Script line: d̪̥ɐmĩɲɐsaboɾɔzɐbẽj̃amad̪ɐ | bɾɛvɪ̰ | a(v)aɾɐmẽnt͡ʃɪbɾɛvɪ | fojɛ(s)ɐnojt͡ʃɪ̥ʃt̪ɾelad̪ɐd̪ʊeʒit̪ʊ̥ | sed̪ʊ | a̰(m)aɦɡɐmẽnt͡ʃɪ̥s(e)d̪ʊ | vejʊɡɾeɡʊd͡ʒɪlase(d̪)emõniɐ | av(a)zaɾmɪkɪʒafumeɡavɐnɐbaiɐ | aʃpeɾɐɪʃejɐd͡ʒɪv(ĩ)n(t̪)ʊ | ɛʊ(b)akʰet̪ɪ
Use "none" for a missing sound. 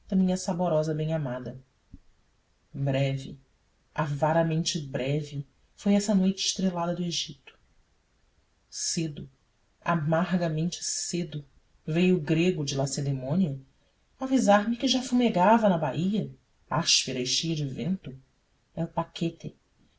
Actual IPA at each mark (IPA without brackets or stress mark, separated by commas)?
v, s, m, e, d̪, i, ẽ, t̪, p